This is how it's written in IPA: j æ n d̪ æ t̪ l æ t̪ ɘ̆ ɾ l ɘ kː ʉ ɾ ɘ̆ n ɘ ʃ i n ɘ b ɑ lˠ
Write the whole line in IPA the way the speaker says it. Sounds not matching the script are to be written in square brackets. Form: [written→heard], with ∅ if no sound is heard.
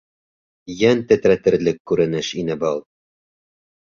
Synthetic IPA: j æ n [d̪→t̪] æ t̪ [l→ɾ] æ t̪ ɘ̆ ɾ l ɘ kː ʉ ɾ ɘ̆ n ɘ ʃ i n ɘ b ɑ lˠ